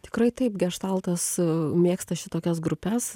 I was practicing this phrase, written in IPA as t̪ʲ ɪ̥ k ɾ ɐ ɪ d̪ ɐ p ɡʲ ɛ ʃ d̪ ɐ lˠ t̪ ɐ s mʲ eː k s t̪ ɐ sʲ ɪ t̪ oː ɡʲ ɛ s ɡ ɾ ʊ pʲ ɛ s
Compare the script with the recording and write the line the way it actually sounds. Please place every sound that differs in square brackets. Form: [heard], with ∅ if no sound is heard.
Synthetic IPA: t̪ʲ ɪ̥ k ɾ ɐ ɪ [t̪] ɐ p ɡʲ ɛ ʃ [t̪] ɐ lˠ t̪ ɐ s mʲ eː k s t̪ ɐ [ʃʲ] ɪ t̪ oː [kʲ] ɛ s ɡ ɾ ʊ pʲ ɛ s